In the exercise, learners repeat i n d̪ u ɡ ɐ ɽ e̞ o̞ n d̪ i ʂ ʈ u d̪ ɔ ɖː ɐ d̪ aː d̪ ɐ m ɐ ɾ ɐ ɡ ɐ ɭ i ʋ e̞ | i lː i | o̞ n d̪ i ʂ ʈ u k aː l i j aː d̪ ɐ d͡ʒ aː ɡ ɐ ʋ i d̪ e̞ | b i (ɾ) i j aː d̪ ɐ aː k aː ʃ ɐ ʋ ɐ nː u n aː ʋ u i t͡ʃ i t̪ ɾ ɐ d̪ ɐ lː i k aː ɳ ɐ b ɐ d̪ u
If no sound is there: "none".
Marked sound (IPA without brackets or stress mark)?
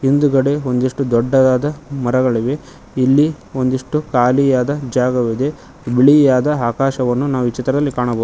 ɭ